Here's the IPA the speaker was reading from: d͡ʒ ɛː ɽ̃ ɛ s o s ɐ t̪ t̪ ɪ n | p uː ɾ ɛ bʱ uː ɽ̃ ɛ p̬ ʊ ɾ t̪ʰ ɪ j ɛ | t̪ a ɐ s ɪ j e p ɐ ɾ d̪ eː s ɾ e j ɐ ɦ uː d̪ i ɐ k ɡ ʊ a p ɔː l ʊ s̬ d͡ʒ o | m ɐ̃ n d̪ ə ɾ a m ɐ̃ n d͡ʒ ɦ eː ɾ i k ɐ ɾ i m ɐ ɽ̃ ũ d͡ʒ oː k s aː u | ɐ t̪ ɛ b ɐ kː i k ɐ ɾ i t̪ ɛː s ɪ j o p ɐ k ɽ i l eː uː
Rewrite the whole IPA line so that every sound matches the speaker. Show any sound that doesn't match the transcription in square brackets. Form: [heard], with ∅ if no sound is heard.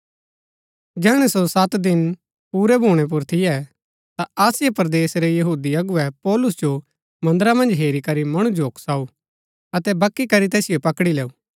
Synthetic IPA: d͡ʒ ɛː ɽ̃ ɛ s o s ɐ t̪ [d̪] ɪ n | p uː ɾ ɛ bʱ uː ɽ̃ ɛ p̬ ʊ ɾ t̪ʰ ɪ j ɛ | t̪ a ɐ s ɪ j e p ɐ ɾ d̪ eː s ɾ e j ɐ ɦ uː d̪ i ɐ [∅] ɡ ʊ [ɛ] p ɔː l ʊ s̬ d͡ʒ o | m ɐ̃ n d̪ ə ɾ a m ɐ̃ n d͡ʒ ɦ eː ɾ i k ɐ ɾ i m ɐ ɽ̃ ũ d͡ʒ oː k s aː u | ɐ t̪ ɛ b ɐ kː i k ɐ ɾ i t̪ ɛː s ɪ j o p ɐ k ɽ i l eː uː